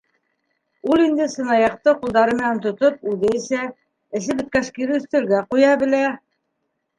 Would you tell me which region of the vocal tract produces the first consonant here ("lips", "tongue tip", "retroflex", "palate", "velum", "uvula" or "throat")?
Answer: tongue tip